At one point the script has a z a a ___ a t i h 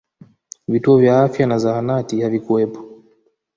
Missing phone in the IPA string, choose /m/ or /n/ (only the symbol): n